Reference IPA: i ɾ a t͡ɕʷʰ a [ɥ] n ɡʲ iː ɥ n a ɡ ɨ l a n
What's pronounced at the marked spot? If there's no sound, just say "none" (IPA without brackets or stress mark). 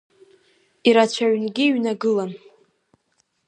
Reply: ɥ